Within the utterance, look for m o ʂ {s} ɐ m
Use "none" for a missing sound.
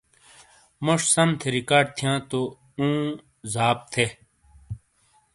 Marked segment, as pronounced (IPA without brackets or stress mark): s